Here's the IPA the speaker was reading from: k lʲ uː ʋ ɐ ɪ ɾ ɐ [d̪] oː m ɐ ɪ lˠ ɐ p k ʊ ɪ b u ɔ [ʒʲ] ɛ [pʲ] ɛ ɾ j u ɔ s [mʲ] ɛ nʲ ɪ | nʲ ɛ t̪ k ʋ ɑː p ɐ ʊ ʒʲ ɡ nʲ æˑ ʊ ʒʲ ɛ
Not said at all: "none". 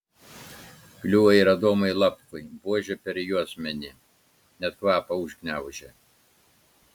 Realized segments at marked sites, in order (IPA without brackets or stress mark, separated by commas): d̪, ʒʲ, pʲ, mʲ